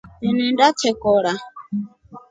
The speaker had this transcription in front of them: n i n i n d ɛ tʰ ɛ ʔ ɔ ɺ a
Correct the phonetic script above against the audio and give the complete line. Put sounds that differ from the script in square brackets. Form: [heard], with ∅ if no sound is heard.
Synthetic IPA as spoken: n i n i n d [a] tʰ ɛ [k] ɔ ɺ a